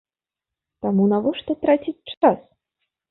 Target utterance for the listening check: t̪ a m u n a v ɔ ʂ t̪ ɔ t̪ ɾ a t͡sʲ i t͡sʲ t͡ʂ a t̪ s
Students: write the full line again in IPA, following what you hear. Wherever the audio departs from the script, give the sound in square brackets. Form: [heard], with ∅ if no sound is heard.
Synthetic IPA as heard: t̪ a m u n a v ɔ ʂ t̪ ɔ t̪ ɾ a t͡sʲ i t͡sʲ t͡ʂ a [∅] s